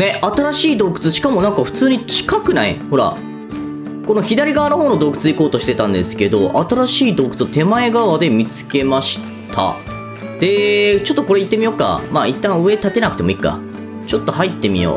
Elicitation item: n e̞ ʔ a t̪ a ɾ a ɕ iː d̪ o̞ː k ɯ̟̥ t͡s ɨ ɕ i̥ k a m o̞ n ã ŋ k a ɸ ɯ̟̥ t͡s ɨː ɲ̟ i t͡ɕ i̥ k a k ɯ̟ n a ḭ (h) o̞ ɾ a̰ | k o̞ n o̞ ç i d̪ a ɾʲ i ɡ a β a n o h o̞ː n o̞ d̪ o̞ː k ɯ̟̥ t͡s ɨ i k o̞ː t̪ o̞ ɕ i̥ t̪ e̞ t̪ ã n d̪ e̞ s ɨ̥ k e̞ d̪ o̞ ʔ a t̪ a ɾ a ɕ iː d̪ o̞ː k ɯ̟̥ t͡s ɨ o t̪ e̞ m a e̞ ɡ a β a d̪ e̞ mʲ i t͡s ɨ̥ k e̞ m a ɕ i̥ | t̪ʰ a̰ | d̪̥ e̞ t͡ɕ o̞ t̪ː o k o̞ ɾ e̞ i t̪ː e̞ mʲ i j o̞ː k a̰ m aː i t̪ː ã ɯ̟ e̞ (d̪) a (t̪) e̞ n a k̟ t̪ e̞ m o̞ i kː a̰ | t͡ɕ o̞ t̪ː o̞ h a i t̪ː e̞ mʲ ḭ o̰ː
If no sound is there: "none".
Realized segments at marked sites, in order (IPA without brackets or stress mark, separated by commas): h, t̪, t̪